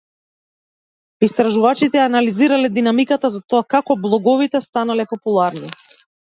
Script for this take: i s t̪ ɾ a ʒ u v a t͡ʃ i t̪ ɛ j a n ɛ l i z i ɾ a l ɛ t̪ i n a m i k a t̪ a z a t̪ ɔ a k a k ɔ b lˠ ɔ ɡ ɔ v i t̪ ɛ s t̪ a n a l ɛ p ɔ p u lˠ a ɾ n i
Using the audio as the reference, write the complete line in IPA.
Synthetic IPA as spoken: i s t̪ ɾ a ʒ u v a t͡ʃ i t̪ ɛ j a n a l i z i ɾ a l ɛ d̪ i n a m i k a t̪ a z a t̪ ɔ a k a k ɔ b lˠ ɔ ɡ ɔ v i t̪ ɛ s t̪ a n a l ɛ p ɔ p u lˠ a ɾ n i

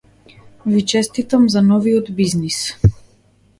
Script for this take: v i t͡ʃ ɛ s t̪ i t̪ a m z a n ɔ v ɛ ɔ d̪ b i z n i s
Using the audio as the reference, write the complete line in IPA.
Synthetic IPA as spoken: v i t͡ʃ ɛ s t̪ i t̪ a m z a n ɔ v i ɔ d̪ b i z n i s

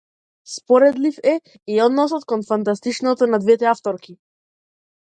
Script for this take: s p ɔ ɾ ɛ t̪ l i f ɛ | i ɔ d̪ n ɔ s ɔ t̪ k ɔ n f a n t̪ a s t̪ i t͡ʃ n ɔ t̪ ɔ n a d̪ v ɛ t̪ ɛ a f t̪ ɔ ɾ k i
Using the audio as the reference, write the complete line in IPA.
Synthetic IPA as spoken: s p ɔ ɾ ɛ d̪ l i f ɛ | i ɔ d̪ n ɔ s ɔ t̪ k ɔ n f a n t̪ a s t̪ i t͡ʃ n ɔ t̪ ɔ n a d̪ v ɛ t̪ ɛ a f t̪ ɔ ɾ k i

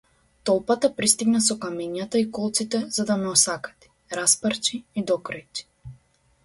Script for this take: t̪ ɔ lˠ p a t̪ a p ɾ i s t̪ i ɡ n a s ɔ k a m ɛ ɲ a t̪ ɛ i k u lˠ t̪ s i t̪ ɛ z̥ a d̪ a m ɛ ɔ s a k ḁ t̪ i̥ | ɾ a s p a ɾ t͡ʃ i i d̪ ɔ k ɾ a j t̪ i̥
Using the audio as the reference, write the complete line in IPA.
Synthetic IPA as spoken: t̪ ɔ lˠ p a t̪ a p ɾ i s t̪ i ɡ n a s ɔ k a m ɛ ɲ a t̪ a i k ɔ lˠ t̪ s i t̪ ɛ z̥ a d̪ a m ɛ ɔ s a k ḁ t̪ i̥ | ɾ a s p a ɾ t͡ʃ i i d̪ ɔ k ɾ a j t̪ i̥

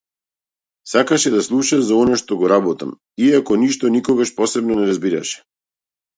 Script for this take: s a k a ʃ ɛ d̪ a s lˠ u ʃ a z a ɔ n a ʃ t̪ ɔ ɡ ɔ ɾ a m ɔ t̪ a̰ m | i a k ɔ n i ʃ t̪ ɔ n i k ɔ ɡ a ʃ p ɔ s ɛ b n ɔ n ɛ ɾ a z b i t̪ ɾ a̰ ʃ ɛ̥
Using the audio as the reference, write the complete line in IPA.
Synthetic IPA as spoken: s a k a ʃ ɛ d̪ a s lˠ u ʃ a z a ɔ n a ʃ t̪ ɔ ɡ ɔ ɾ a b ɔ t̪ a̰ m | i a k ɔ n i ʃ t̪ ɔ n i k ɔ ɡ a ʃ p ɔ s ɛ b n ɔ n ɛ ɾ a z b i ɾ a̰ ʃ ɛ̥

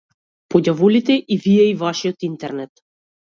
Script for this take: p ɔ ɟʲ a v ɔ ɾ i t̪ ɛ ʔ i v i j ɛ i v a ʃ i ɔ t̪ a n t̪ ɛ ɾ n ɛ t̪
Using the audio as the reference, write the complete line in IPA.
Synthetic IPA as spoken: p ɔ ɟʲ a v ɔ l i t̪ ɛ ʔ i v i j ɛ i v a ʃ i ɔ t̪ i n t̪ ɛ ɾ n ɛ t̪

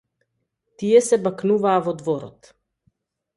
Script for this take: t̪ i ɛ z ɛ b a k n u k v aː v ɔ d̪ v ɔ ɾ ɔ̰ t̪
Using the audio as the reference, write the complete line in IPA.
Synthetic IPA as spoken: t̪ i ɛ s ɛ b a k n u v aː v ɔ d̪ v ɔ ɾ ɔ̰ t̪

